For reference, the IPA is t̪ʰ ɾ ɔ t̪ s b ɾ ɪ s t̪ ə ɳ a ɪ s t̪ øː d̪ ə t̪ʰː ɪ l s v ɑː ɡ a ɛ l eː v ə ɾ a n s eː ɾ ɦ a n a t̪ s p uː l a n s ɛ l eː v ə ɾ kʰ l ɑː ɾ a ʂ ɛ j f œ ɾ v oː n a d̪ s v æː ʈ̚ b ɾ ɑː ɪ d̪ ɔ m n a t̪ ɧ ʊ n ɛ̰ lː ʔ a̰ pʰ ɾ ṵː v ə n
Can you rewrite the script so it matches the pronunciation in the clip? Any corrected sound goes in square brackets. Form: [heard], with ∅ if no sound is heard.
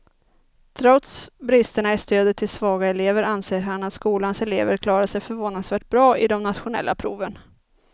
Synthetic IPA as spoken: t̪ʰ ɾ ɔ t̪ s b ɾ ɪ s t̪ ə ɳ a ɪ s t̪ øː d̪ ə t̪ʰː ɪ l s v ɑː ɡ a ɛ l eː v ə ɾ a n s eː ɾ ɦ a n a t̪ s [k] uː l a n s ɛ l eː v ə ɾ kʰ l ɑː ɾ a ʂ ɛ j f œ ɾ v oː n a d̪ s v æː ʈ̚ b ɾ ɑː ɪ d̪ ɔ m n a t̪ ɧ ʊ n ɛ̰ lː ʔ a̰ pʰ ɾ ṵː v ə n